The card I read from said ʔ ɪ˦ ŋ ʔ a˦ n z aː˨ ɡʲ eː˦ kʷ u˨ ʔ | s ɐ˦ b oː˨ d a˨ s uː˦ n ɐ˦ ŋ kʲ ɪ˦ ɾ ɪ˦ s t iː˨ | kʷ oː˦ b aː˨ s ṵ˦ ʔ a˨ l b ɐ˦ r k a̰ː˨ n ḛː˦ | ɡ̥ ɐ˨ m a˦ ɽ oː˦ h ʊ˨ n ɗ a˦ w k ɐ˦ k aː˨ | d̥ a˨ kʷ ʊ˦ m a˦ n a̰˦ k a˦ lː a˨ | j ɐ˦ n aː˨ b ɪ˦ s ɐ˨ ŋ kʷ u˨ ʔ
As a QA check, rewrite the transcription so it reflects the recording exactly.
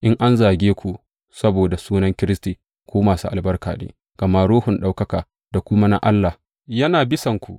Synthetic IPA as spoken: ʔ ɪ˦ ŋ ʔ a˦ n z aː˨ ɡʲ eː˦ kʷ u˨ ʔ | s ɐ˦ b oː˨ d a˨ s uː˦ n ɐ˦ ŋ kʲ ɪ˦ ɾ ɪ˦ s t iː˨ | kʷ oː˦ m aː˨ s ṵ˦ ʔ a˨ l b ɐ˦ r k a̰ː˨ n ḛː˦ | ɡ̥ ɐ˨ m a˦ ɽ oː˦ h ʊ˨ n ɗ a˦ w k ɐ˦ k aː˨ | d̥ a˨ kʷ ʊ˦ m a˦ n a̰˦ ʔ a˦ lː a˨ | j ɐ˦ n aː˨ b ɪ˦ s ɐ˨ ŋ kʷ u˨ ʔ